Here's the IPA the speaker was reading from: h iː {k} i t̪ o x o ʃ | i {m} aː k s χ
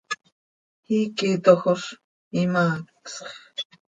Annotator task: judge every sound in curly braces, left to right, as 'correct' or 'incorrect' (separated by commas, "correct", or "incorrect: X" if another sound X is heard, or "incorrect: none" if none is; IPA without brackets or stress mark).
correct, correct